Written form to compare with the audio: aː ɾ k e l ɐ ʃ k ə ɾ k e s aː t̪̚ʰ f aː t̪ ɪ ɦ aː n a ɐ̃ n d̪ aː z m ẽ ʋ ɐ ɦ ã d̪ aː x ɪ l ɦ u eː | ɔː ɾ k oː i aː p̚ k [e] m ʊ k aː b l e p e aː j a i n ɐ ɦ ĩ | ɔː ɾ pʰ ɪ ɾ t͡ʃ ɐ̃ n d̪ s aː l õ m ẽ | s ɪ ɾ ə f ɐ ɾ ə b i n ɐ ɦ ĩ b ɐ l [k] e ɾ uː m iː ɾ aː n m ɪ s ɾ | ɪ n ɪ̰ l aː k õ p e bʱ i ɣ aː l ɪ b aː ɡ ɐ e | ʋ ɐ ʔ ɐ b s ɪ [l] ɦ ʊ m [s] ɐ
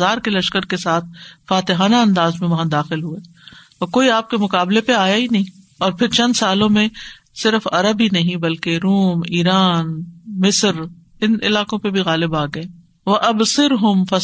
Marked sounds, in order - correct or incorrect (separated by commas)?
correct, correct, incorrect, incorrect